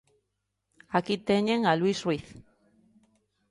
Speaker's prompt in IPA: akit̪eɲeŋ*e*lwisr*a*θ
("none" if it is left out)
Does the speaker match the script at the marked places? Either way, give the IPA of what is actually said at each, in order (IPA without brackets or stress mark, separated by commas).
a, i